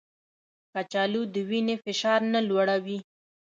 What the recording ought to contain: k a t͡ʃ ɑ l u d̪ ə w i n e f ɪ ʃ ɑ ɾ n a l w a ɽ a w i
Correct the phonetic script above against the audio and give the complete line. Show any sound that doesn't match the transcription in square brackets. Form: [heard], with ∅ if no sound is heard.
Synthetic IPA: k a t͡ʃ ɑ l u d̪ ə w i n e f ɪ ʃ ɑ ɾ n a l w a ɽ a w i